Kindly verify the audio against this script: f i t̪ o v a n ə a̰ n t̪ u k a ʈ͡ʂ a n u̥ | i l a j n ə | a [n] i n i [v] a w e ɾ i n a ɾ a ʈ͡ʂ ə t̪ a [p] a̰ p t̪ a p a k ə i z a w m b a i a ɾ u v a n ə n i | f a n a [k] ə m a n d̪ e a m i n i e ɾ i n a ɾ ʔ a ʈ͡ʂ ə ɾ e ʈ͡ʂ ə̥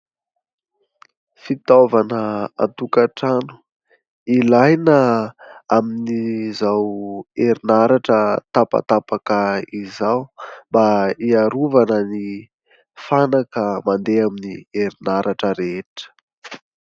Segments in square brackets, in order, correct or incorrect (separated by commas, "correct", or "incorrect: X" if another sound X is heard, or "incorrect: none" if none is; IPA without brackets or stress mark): incorrect: m, incorrect: z, correct, correct